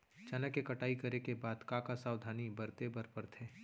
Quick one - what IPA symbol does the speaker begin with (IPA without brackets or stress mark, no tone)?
t͡ʃ